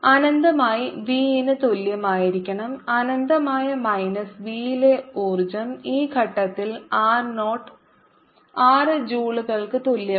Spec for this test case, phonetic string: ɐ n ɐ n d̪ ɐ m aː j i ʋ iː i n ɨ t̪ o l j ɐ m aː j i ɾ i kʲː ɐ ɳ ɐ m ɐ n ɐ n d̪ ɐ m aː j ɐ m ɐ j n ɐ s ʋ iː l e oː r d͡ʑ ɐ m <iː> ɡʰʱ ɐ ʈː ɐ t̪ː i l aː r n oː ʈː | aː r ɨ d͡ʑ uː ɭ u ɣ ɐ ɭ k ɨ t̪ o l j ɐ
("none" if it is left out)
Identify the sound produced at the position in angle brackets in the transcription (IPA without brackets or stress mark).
iː